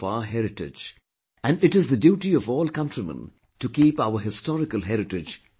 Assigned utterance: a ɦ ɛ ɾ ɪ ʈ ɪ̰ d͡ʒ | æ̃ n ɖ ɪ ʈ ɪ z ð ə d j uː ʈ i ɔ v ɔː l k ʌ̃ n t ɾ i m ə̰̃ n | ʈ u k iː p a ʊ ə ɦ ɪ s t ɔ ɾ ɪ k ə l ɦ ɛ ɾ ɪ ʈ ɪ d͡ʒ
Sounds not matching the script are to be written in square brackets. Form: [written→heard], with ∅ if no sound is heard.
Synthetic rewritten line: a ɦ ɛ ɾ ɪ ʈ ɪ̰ d͡ʒ | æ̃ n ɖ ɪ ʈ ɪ z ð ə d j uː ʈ i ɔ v ɔː l k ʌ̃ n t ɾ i m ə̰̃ n | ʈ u k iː p a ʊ ə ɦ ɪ s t ɔ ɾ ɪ k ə l ɦ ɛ ɾ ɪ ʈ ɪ d͡ʒ

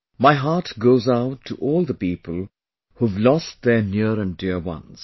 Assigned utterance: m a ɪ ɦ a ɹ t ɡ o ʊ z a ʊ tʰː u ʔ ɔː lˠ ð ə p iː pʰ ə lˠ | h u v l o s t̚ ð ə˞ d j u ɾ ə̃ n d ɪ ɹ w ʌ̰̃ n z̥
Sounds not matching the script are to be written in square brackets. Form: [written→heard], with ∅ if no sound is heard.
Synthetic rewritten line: m a ɪ ɦ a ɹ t ɡ o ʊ z a ʊ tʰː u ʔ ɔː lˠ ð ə p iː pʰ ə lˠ | h u v l [o→ɔ] s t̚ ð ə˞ [d→n] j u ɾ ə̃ n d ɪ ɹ w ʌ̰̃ n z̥

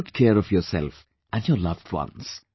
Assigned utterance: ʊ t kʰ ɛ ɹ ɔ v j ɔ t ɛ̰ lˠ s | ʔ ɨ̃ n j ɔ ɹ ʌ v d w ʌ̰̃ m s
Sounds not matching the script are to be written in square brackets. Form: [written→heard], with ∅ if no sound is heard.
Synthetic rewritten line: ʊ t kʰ ɛ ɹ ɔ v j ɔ [t→s] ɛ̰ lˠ [s→f] | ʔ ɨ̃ n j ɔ [ɹ→l] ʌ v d w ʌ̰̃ [m→n] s

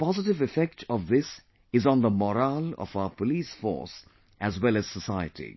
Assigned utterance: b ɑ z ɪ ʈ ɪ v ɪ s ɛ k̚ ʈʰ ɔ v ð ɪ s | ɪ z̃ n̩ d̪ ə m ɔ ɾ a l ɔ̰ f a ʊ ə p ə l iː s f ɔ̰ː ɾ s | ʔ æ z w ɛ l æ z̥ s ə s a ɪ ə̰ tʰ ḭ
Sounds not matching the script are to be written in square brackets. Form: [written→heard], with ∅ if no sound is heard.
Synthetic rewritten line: [b→p] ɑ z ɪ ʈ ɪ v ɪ [s→f] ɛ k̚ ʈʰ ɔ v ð ɪ s | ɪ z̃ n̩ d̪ ə m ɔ ɾ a l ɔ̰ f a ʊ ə p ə l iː s f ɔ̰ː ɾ s | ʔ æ z w ɛ l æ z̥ s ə s a ɪ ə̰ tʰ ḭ

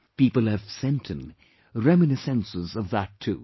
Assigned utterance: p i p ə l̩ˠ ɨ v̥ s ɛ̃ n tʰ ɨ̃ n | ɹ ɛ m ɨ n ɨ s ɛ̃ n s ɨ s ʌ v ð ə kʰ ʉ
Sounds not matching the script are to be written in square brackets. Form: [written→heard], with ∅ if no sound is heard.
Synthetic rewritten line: p i p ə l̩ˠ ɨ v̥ s ɛ̃ n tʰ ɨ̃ n | ɹ ɛ m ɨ n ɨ s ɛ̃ n s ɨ [s→z] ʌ v ð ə [kʰ→tʰ] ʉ

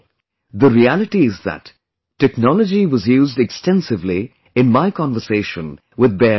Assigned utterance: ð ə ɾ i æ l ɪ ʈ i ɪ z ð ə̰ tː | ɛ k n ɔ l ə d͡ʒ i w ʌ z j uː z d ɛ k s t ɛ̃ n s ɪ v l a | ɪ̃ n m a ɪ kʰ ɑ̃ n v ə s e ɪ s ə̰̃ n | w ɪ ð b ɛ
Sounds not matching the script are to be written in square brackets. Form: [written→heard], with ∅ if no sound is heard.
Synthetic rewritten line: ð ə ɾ i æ l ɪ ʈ i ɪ z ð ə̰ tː | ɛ k n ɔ l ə d͡ʒ i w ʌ z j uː z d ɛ k s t ɛ̃ n s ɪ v l [a→i] | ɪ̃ n m a ɪ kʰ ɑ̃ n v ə s e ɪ [s→ʃ] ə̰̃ n | w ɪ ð b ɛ

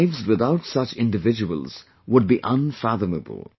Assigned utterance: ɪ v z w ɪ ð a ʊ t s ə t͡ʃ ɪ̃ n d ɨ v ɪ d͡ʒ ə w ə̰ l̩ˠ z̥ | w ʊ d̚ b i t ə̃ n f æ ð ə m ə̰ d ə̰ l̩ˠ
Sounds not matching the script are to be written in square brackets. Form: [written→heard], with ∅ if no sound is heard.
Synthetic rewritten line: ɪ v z w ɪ ð a ʊ t s [ə→ʌ] t͡ʃ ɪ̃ n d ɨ v ɪ d͡ʒ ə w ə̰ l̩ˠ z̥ | w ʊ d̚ b i [t→ʔ] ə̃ n f æ ð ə m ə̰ [d→b] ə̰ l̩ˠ

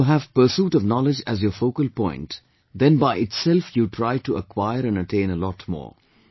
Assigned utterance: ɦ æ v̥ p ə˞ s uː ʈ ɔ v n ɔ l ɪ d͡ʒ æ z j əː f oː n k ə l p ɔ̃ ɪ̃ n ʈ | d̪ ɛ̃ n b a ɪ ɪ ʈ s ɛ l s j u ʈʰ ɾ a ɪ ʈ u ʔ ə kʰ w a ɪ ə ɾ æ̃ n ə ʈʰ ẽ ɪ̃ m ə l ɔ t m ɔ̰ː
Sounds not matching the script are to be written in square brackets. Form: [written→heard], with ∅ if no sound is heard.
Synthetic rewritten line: ɦ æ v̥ p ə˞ s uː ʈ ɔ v n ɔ l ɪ d͡ʒ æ z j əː f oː [n→∅] k ə l p ɔ̃ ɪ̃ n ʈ | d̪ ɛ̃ n b a ɪ ɪ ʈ s ɛ l [s→f] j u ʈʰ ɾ a ɪ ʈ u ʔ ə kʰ w a ɪ ə ɾ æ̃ n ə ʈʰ ẽ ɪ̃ [m→n] ə l ɔ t m ɔ̰ː

